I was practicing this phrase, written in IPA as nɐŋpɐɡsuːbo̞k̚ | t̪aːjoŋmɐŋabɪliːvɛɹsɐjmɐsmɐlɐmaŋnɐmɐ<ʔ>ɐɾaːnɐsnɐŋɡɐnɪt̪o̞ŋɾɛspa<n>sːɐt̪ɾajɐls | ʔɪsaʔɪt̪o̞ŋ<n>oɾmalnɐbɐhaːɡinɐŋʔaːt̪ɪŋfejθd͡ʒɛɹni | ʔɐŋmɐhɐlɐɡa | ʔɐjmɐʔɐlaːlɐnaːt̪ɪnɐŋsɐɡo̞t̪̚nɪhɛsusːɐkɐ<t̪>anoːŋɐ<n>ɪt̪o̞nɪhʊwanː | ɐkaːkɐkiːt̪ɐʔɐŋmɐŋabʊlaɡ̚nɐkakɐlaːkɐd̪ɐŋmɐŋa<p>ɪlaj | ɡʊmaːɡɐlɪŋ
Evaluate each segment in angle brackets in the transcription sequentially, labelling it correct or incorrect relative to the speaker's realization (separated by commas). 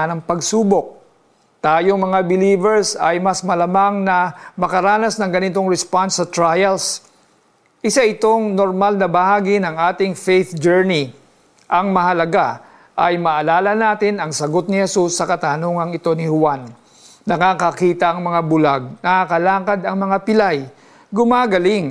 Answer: incorrect, correct, correct, correct, incorrect, correct